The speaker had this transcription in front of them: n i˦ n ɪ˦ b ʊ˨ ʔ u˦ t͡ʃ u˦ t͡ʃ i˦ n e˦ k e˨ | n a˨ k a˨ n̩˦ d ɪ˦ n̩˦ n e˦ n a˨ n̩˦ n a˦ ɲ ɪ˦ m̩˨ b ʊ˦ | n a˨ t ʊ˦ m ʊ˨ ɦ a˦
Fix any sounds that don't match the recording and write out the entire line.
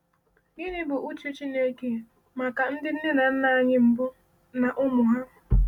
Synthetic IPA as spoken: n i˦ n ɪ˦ b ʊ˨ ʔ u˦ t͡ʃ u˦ t͡ʃ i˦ n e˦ k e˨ | m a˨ k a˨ n̩˦ d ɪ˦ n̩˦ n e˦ n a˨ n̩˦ n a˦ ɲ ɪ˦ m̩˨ b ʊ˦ | n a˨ ʔ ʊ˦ m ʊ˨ ɦ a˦